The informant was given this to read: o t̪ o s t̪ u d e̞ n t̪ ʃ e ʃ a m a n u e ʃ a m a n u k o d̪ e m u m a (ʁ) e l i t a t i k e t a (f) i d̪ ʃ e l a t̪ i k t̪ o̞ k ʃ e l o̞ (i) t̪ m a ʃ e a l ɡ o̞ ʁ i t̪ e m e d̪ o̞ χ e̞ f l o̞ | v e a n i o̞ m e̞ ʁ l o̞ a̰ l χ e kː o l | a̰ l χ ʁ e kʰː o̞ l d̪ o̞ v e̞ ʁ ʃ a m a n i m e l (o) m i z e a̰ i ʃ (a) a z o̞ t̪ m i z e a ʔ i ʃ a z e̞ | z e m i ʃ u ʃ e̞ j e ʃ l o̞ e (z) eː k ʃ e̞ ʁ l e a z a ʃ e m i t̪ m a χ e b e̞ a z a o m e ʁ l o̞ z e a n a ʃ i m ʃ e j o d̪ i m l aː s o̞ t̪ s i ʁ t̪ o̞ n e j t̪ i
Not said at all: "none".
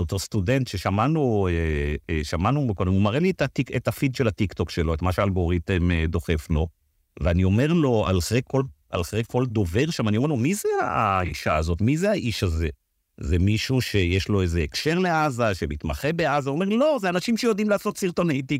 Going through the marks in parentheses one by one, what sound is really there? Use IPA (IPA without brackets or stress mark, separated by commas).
ʁ, f, e, o, a, z